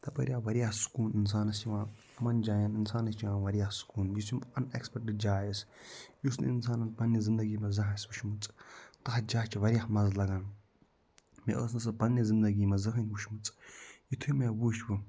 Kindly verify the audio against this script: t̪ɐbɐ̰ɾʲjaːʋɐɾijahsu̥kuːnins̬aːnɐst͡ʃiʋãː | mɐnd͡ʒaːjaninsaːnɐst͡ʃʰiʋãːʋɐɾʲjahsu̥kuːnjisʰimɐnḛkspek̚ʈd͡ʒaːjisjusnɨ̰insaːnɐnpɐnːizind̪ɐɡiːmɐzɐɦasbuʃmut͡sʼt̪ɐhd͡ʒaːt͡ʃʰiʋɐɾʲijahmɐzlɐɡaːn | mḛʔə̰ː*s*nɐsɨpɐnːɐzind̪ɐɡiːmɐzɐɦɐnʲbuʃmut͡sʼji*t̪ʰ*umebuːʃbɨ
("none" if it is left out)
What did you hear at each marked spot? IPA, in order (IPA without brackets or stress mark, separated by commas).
s, t̪ʰ